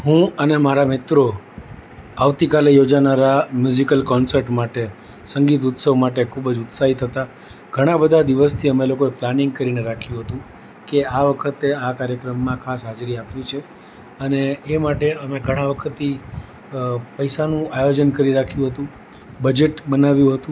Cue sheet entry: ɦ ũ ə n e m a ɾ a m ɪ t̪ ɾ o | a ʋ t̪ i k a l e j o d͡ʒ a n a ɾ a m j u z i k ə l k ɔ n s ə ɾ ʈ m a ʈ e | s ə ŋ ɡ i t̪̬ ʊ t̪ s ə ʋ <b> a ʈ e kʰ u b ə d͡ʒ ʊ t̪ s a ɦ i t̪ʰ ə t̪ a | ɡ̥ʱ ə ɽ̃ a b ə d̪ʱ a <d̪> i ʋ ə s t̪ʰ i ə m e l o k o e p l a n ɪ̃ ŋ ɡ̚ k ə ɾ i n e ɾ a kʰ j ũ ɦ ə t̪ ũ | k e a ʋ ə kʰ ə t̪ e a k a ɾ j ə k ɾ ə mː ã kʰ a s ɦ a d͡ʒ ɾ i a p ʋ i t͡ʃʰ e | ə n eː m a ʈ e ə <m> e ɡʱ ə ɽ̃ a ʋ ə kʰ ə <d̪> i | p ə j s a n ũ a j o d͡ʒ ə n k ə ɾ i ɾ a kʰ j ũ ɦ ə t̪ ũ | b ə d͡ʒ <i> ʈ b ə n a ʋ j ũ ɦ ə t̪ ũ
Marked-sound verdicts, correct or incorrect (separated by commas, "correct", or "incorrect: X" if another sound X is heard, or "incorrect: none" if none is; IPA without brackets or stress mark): incorrect: m, correct, correct, incorrect: t̪, incorrect: e